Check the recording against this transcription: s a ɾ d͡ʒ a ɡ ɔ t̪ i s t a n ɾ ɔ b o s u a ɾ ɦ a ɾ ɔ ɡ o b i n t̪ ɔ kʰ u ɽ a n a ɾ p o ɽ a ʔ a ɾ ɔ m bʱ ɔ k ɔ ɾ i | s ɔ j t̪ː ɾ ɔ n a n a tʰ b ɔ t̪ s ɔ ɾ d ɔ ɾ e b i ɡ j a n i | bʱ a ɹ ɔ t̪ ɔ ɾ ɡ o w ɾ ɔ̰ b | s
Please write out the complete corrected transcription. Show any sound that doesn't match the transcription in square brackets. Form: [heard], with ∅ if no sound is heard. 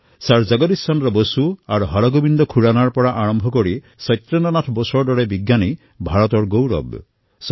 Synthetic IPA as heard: s a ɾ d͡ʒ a ɡ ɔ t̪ i s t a n ɾ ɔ b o s u a ɾ ɦ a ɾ ɔ ɡ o b i n [d̪] ɔ kʰ u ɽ a n a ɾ p [ɔ] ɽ a ʔ a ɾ ɔ m bʱ ɔ k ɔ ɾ i | s ɔ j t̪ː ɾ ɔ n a n a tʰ b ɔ [∅] s ɔ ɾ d ɔ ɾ e b i ɡ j a n i | bʱ a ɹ ɔ t̪ ɔ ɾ ɡ o w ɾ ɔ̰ b | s